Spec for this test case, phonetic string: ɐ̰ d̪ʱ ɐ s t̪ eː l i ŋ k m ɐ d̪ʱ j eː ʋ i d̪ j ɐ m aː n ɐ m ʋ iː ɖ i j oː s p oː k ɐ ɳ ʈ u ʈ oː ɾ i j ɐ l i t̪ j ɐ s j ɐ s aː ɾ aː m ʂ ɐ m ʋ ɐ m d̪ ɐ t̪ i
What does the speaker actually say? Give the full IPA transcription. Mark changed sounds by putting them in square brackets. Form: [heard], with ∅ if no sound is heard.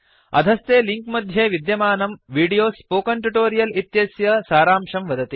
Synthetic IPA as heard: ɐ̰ d̪ʱ ɐ s t̪ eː l i ŋ k m ɐ d̪ʱ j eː ʋ i d̪ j ɐ m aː n ɐ m ʋ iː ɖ i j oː s p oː k ɐ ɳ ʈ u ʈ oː ɾ i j ɐ l i t̪ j ɐ s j ɐ s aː ɾ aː m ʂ ɐ m ʋ ɐ [∅] d̪ ɐ t̪ i